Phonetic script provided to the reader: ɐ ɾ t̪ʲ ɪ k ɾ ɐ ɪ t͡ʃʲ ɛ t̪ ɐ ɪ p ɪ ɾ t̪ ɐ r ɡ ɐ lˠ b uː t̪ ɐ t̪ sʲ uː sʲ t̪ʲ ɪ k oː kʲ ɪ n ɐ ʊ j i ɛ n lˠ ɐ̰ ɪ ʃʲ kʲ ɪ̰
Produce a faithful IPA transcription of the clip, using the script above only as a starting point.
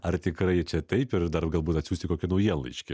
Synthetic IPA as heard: ɐ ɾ t̪ʲ ɪ k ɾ ɐ ɪ t͡ʃʲ ɛ t̪ ɐ ɪ p ɪ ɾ d̪ ɐ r ɡ ɐ lˠ b uː t̪ ɐ t̪ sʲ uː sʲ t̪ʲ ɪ k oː kʲ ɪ n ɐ ʊ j i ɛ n lˠ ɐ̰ ɪ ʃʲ kʲ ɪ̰